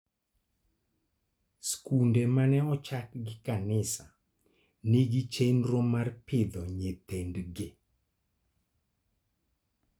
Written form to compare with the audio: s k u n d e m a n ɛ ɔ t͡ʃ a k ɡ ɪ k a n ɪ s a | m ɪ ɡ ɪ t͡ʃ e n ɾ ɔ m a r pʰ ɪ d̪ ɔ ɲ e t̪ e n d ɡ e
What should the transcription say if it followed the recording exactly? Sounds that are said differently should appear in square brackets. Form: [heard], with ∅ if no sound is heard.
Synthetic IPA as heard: s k u n d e m a n ɛ ɔ t͡ʃ a k ɡ ɪ k a n ɪ s a | [n] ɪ ɡ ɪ t͡ʃ e n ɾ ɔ m a r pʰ ɪ d̪ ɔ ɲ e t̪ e n d ɡ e